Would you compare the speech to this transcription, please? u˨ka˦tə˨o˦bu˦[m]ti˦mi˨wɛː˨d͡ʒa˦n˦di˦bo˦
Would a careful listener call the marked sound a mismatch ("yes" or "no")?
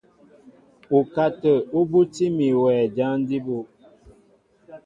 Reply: yes